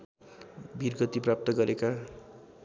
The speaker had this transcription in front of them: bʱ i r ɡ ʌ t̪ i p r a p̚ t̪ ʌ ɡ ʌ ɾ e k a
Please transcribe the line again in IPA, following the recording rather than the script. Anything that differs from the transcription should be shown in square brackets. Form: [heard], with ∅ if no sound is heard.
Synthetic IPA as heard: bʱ i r ɡ ʌ t̪ i p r a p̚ t̪ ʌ ɡ ʌ ɾ e k a